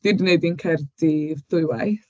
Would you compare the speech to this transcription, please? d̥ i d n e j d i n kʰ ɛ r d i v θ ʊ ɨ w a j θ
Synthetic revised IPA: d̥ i d n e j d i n kʰ ɛ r d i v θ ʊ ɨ w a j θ